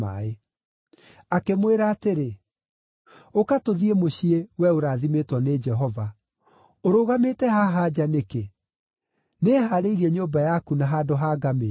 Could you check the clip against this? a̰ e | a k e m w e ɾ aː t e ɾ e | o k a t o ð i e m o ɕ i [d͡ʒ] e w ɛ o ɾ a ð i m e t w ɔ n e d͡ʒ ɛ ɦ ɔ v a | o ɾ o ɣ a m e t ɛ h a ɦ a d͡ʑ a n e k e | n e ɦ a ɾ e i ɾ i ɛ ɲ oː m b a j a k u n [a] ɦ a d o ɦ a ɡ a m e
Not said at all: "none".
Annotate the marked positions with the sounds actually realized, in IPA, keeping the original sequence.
none, a

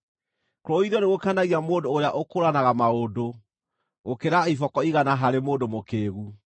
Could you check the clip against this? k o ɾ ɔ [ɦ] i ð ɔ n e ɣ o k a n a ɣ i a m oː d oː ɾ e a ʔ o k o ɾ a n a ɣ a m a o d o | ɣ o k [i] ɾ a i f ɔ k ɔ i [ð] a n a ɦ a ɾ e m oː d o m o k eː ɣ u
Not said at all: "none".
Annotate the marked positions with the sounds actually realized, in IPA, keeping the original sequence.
none, e, ɣ

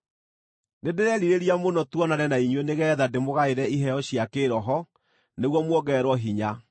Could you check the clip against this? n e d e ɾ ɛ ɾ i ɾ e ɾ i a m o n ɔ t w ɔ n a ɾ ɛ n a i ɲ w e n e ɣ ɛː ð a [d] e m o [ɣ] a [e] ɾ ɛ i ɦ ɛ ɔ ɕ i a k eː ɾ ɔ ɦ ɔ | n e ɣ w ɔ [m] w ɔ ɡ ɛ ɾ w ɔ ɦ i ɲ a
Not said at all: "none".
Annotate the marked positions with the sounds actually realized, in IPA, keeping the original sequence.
d, ɣ, e, m

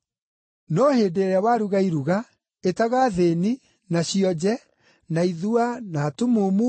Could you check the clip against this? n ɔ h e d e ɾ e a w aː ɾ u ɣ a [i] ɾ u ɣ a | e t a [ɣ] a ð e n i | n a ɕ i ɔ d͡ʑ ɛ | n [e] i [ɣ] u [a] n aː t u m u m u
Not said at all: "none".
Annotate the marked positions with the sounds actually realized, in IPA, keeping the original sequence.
i, ɣ, a, ð, a

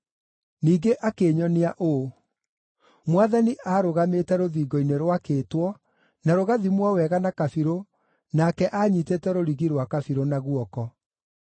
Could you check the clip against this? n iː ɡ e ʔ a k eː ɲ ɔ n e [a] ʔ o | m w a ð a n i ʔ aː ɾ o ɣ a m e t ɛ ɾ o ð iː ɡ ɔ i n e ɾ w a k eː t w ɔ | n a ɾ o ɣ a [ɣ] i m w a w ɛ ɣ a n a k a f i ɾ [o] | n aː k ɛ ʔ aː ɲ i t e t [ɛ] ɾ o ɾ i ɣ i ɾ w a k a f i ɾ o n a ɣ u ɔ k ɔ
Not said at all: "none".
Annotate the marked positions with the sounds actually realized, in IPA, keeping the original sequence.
a, ð, o, ɛ

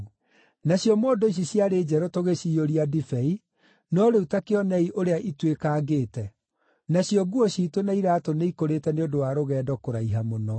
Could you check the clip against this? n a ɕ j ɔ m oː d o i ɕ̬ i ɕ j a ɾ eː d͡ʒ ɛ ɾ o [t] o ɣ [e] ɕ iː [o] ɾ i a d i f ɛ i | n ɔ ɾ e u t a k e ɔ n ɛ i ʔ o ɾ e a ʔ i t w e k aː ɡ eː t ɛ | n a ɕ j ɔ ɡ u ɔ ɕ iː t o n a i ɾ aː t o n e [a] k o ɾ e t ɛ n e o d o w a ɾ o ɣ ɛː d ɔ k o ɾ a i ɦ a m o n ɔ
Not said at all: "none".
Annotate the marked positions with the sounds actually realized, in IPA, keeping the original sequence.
t, e, o, i

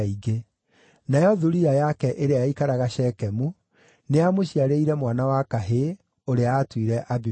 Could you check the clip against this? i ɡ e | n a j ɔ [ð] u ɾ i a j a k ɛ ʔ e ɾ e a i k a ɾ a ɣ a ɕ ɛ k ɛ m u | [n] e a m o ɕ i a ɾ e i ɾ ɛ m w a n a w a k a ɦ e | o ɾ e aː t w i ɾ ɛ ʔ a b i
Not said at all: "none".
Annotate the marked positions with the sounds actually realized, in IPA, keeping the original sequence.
ð, n

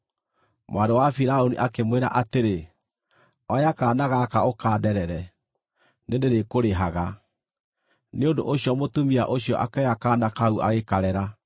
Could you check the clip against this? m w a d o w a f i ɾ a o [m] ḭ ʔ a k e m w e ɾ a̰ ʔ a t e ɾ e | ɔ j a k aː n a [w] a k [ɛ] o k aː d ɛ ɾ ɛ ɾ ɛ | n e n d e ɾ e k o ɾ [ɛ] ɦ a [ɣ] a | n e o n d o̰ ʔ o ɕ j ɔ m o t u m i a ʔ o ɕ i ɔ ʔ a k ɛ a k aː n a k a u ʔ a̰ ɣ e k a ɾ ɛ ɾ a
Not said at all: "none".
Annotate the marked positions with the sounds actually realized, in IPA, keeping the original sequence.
n, ɣ, a, e, ɣ

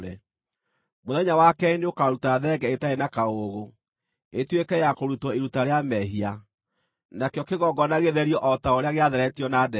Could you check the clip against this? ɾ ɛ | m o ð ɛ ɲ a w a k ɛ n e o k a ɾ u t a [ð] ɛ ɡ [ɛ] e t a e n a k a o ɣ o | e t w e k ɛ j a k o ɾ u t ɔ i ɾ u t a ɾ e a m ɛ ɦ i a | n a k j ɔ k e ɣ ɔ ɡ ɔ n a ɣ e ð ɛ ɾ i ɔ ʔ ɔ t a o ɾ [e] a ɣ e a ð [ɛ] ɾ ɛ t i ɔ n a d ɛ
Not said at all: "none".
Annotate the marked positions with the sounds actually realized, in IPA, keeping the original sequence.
ð, ɛ, e, ɛ

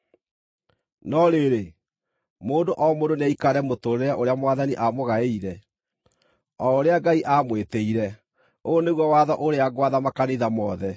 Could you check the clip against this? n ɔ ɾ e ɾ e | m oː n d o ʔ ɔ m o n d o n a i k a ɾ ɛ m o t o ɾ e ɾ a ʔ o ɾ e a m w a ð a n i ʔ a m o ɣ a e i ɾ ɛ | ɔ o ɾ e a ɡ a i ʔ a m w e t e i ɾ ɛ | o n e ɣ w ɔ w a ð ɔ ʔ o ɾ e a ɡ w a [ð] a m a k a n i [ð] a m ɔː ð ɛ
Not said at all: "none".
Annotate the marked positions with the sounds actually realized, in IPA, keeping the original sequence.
ð, ð

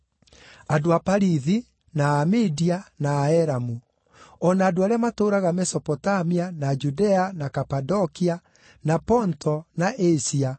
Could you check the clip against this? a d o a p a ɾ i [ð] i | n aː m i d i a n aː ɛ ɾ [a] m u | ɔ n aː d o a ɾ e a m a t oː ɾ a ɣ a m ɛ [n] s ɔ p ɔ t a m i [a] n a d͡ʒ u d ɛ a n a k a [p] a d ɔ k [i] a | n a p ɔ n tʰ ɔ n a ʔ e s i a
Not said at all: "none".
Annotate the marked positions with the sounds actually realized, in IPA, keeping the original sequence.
ð, a, none, a, p, i

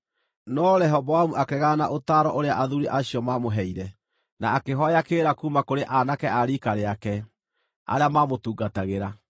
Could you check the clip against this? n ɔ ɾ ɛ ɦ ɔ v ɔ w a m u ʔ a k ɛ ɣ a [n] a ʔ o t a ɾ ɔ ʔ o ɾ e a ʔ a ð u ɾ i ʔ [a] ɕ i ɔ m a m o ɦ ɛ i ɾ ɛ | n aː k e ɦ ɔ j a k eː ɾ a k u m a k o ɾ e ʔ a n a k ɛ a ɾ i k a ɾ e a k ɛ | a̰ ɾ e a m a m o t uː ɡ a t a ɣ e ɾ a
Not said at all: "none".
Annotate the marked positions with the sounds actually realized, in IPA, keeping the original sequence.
n, a

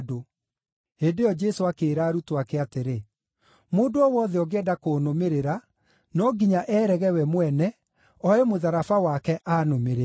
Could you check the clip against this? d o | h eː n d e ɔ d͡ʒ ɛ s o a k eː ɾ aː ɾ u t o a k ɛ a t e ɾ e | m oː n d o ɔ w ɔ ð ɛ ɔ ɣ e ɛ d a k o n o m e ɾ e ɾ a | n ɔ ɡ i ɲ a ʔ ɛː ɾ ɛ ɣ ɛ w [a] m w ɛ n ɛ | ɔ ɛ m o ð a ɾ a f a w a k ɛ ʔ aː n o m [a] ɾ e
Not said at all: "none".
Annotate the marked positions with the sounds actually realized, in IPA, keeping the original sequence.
ɛ, e

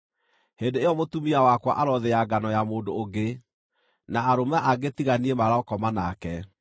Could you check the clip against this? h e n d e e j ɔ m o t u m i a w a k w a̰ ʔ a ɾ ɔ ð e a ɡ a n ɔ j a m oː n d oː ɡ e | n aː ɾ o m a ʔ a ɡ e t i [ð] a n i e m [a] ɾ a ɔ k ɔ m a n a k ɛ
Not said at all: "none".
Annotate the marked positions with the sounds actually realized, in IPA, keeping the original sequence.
ɣ, a

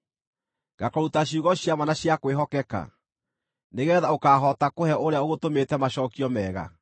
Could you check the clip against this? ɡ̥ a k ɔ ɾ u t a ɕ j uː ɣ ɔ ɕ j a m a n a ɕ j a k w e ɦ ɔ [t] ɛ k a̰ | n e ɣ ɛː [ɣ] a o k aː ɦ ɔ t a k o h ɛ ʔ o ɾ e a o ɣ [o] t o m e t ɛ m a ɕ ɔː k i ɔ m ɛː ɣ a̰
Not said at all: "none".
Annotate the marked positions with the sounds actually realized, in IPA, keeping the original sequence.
k, ð, o

